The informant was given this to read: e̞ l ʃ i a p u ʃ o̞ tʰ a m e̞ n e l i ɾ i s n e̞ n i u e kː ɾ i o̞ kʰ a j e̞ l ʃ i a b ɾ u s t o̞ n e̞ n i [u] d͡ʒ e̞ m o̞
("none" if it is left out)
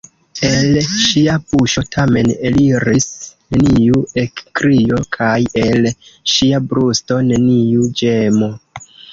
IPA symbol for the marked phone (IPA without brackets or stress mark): u